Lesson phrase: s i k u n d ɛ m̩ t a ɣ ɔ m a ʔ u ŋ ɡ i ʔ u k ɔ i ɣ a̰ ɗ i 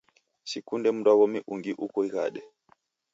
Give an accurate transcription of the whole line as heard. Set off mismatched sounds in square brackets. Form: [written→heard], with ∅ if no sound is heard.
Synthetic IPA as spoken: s i k u n d ɛ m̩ [t→d] a ɣ ɔ m [a→i] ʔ u ŋ ɡ i ʔ u k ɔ i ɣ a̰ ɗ [i→ɛ]